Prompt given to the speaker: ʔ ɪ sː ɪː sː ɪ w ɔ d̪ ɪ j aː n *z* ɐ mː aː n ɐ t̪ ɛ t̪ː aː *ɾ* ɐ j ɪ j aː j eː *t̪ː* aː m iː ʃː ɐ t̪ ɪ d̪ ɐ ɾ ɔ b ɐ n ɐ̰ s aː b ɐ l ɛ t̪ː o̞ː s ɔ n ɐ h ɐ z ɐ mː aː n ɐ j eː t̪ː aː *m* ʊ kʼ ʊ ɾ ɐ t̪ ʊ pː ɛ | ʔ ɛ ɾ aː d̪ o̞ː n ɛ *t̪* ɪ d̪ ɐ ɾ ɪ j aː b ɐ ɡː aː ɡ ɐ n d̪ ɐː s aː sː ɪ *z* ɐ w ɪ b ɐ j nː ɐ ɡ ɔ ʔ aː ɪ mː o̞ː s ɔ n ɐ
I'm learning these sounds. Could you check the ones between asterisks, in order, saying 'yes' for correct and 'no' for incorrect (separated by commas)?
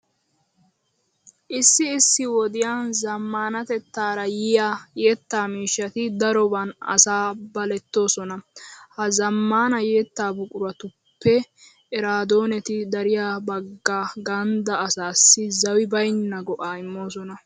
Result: yes, yes, yes, no, yes, yes